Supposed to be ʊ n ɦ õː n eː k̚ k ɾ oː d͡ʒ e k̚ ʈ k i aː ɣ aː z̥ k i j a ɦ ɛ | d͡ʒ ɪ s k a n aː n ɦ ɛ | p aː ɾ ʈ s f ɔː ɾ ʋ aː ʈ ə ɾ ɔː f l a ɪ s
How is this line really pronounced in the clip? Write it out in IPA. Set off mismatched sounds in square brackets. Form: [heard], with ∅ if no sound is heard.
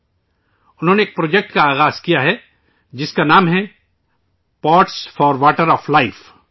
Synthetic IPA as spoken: ʊ n ɦ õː n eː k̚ [p] ɾ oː d͡ʒ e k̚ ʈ k [a] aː ɣ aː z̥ k i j a ɦ ɛ | d͡ʒ ɪ s k a n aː [m] ɦ ɛ | p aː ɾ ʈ s f ɔː ɾ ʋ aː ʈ ə ɾ ɔː f l a ɪ [f]